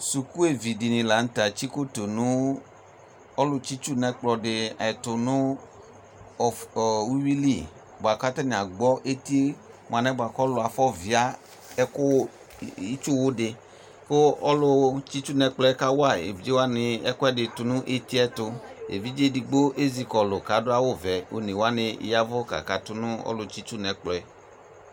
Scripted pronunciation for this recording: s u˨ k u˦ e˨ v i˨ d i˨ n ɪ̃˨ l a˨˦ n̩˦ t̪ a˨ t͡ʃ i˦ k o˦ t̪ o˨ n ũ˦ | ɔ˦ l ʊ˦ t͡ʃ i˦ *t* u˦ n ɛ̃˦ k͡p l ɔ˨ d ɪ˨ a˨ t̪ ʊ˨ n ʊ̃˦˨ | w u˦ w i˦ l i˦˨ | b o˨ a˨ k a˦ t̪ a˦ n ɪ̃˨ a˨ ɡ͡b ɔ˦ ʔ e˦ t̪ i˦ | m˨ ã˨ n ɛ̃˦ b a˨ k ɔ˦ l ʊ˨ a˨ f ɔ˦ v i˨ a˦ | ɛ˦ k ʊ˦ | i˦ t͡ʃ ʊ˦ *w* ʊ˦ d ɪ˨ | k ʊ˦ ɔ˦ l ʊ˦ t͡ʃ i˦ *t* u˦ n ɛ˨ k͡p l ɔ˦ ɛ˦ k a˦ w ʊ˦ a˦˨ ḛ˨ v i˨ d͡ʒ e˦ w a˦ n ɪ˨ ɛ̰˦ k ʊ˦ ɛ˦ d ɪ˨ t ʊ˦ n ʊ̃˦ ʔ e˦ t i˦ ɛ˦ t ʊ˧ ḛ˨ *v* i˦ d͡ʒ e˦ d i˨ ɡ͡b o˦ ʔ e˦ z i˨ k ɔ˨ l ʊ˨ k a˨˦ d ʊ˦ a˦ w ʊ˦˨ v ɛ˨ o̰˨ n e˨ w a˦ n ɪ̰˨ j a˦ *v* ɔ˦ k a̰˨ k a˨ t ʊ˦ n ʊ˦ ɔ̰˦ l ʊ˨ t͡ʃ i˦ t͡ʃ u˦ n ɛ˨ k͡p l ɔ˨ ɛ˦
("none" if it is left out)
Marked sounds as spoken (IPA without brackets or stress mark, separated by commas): t͡ʃ, w, t͡ʃ, v, v